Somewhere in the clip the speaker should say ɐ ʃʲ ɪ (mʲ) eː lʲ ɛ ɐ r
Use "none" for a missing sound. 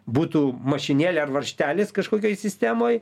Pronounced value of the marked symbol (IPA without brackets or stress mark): nʲ